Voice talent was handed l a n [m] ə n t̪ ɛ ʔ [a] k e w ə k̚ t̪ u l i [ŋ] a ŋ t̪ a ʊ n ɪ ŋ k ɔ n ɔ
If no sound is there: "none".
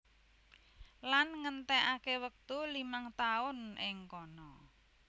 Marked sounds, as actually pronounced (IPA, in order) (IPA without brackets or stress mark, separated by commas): ŋ, a, m